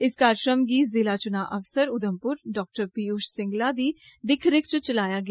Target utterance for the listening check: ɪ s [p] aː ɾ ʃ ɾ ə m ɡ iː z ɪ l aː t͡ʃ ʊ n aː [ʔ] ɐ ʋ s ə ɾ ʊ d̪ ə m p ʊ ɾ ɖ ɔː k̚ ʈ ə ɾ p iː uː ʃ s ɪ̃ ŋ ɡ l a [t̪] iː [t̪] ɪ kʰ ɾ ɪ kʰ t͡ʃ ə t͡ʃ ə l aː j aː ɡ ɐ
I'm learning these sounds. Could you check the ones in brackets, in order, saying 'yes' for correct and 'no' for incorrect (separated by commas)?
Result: no, yes, no, no